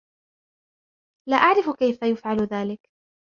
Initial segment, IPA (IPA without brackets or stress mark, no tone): l